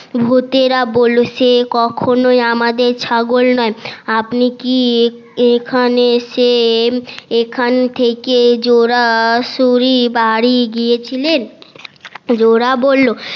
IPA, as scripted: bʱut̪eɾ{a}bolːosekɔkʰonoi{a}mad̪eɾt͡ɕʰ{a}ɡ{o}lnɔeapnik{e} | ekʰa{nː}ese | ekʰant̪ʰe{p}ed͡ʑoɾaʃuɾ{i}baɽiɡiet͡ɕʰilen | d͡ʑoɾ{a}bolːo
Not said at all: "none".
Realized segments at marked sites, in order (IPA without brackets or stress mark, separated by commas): a, a, a, o, i, n, k, i, a